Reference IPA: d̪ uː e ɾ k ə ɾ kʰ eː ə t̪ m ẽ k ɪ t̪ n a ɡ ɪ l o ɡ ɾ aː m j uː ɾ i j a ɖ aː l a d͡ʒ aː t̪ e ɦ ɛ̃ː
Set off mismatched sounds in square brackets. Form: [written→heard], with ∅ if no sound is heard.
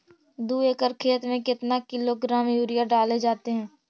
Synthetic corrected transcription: d̪ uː e [ɾ→∅] k ə ɾ kʰ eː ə t̪ m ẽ k ɪ t̪ n a [ɡ→k] ɪ l o ɡ ɾ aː m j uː ɾ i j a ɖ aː l [a→e] d͡ʒ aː t̪ e ɦ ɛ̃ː